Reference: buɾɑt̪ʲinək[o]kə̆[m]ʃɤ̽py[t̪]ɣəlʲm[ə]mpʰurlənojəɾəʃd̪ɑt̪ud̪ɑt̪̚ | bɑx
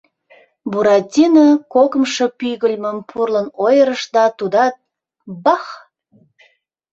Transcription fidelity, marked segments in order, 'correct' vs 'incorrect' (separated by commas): correct, correct, incorrect, correct